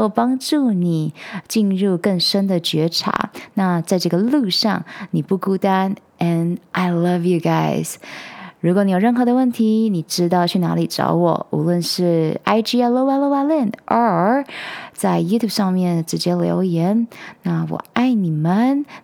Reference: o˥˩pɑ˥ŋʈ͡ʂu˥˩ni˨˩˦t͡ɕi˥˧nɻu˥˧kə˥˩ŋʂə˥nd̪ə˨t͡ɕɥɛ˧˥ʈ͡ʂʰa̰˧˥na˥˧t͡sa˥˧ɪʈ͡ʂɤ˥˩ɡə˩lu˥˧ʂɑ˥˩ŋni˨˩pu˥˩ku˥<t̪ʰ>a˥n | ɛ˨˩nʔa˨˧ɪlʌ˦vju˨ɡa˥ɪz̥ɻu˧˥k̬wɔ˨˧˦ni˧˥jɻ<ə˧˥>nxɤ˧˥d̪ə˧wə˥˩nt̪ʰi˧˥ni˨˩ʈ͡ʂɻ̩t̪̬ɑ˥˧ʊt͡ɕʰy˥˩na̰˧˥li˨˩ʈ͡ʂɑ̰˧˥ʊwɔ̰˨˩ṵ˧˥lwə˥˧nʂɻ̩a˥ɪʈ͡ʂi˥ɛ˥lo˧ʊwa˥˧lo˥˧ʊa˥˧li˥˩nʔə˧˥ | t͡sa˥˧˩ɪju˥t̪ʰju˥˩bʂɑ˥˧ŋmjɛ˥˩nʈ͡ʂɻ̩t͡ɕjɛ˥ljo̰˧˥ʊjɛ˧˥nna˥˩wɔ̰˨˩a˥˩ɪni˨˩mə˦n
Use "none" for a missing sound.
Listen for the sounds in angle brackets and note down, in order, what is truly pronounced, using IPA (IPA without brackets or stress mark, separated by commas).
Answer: t̪, ə˥˩